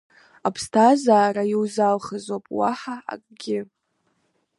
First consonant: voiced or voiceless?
voiceless